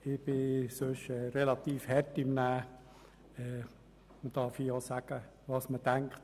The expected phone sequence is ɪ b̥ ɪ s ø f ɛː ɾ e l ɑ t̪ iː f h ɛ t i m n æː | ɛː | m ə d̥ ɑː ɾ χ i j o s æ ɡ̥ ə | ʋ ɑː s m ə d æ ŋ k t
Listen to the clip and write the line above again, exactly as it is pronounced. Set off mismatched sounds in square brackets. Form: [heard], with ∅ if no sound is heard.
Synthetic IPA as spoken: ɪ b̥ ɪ s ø [ʃ] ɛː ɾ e l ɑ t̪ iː f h ɛ t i m n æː | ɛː | m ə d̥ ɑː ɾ [f] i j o s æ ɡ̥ ə | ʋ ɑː s m ə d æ ŋ k t